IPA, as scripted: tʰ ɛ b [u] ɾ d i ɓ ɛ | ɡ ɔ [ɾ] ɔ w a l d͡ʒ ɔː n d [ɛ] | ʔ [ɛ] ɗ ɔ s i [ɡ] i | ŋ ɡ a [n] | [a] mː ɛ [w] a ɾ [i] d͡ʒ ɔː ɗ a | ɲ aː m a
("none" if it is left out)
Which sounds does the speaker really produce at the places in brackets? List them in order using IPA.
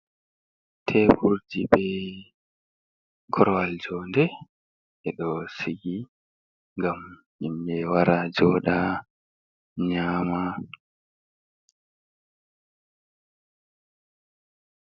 u, ɾ, ɛ, ɛ, ɡ, m, i, w, a

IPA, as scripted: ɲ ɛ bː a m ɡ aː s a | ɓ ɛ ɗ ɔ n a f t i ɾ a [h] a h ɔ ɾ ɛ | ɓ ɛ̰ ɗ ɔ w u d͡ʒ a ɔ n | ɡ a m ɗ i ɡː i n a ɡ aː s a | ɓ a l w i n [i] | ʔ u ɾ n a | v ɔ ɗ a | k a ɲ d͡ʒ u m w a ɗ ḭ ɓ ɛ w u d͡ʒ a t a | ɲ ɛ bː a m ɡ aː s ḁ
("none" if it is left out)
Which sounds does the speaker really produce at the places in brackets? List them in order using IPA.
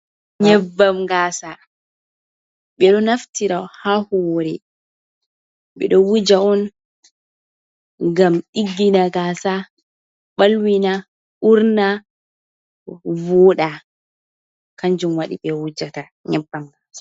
h, a

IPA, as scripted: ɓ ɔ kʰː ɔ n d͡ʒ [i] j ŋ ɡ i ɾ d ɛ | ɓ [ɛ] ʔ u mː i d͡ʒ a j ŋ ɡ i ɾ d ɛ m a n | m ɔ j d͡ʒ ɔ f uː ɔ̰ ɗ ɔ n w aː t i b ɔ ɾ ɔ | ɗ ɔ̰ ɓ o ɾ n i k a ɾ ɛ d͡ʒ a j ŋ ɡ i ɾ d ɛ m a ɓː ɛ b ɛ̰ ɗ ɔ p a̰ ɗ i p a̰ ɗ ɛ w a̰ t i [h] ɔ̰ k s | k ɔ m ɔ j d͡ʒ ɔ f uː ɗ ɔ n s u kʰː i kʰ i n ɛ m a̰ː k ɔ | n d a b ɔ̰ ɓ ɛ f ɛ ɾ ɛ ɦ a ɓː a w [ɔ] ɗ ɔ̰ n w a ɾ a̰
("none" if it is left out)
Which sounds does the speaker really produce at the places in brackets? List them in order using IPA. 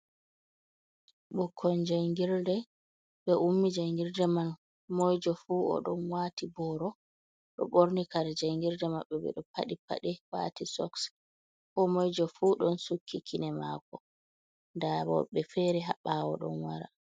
a, ɛ, s, ɔ

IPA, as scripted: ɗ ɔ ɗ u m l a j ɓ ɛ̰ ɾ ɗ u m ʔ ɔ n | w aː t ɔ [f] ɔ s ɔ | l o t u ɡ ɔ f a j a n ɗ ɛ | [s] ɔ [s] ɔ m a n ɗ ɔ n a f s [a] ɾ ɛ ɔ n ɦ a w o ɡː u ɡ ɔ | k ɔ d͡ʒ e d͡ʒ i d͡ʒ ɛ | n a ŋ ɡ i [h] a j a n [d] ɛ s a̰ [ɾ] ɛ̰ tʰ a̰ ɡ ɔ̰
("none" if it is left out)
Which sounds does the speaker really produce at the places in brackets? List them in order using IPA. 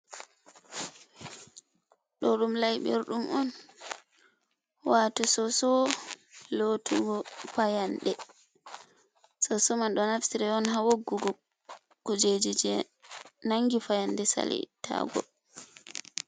s, s, s, i, f, d, l

